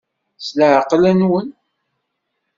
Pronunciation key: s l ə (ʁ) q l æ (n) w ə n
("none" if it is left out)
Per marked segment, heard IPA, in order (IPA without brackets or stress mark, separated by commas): ʕ, n